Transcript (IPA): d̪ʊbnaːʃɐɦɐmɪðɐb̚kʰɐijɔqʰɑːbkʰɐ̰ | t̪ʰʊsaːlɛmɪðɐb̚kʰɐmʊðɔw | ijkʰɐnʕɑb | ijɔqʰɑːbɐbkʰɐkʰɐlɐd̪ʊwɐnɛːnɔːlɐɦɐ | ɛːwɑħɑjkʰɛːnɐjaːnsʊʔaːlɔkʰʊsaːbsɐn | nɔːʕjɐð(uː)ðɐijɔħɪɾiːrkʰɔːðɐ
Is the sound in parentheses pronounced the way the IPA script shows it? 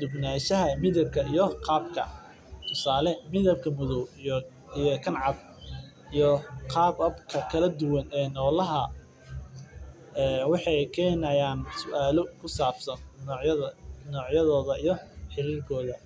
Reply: no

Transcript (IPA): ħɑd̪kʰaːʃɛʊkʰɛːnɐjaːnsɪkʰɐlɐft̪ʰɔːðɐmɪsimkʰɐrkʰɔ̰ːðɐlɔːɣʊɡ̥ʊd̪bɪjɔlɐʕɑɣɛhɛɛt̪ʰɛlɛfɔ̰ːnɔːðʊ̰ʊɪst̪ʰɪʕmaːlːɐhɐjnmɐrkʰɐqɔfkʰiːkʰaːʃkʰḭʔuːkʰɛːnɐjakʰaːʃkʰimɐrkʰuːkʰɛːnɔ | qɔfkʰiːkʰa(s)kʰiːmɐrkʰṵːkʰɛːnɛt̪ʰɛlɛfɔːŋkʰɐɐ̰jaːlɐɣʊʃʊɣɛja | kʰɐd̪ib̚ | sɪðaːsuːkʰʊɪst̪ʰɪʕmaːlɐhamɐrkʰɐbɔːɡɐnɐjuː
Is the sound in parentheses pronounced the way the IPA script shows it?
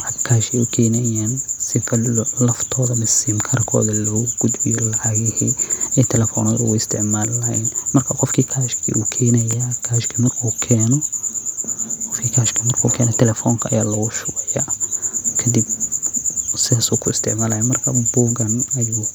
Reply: no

